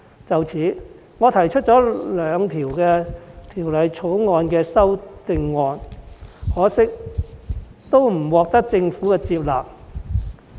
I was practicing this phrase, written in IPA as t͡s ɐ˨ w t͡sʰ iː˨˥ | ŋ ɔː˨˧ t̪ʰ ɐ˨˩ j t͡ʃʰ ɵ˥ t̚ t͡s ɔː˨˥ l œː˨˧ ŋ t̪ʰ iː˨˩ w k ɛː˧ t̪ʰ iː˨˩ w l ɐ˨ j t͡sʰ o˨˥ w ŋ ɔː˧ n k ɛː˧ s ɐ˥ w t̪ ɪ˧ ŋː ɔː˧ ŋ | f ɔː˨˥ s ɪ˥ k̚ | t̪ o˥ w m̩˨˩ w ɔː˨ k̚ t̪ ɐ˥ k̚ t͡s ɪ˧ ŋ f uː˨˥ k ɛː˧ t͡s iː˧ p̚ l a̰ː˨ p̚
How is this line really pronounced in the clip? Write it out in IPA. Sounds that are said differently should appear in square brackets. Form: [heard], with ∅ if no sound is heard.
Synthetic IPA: t͡s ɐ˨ w t͡sʰ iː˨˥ | ŋ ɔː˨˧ t̪ʰ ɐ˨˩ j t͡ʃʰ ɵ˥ t̚ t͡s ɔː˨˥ l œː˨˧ ŋ t̪ʰ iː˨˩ w k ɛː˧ t̪ʰ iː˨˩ w l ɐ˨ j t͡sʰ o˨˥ w ŋ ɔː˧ n k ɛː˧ s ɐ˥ w t̪ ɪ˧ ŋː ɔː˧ [n] | [h] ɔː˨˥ s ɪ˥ k̚ | t̪ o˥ w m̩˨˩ w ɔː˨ k̚ t̪ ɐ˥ k̚ t͡s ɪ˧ ŋ f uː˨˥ k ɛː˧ t͡s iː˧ p̚ l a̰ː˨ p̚